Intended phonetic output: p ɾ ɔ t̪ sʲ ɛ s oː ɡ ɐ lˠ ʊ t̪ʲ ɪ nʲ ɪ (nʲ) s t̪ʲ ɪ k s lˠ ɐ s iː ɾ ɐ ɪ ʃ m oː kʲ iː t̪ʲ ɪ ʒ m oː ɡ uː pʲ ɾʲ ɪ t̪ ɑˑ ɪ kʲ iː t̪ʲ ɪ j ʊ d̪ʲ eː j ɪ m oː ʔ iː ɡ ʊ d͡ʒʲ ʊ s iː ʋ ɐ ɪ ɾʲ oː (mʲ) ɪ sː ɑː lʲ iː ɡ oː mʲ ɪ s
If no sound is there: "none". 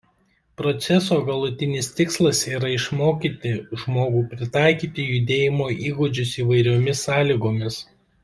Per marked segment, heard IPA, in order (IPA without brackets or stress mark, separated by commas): none, mʲ